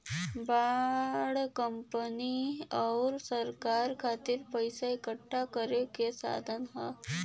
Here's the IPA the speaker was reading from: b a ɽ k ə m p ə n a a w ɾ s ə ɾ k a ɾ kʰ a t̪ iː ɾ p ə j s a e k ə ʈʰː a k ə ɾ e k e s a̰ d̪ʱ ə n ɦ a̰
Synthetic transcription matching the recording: b a ɽ k ə m p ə n i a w ɾ s ə ɾ k a ɾ kʰ a t̪ iː ɾ p ə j s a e k ə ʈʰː a k ə ɾ e k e s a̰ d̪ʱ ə n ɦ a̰